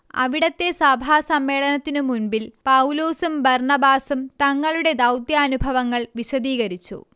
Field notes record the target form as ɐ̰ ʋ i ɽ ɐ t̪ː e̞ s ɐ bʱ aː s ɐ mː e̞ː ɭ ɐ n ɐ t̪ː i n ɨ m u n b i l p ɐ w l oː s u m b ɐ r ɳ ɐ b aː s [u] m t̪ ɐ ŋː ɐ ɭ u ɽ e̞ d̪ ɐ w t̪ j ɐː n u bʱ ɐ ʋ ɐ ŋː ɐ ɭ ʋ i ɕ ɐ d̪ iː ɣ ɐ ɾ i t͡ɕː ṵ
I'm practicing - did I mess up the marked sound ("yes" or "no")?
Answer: no